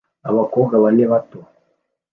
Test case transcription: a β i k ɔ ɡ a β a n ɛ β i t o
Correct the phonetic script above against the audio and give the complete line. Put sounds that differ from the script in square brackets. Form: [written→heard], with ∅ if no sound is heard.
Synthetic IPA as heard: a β [i→a] k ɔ ɡ a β a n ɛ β [i→a] t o